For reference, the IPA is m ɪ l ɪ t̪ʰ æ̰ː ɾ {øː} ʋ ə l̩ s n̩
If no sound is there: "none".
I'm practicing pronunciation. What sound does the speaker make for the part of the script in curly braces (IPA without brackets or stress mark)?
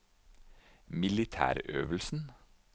øː